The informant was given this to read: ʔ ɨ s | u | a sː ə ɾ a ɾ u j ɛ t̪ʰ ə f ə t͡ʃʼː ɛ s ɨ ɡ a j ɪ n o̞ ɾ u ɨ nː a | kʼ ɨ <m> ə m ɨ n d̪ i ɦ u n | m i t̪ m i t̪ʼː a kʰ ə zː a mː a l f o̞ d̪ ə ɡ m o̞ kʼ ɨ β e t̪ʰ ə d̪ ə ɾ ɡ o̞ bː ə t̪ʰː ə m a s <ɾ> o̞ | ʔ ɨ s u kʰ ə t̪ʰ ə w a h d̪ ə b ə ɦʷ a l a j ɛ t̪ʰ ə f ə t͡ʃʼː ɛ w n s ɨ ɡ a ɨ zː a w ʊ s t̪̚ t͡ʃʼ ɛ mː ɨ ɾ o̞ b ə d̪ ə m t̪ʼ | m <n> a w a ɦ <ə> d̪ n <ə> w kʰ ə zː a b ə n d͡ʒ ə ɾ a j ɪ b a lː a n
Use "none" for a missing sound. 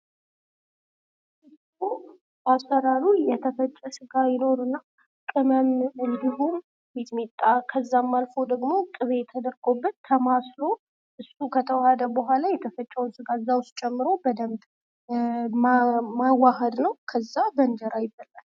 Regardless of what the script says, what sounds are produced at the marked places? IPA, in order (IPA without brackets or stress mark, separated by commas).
m, l, m, ə, ə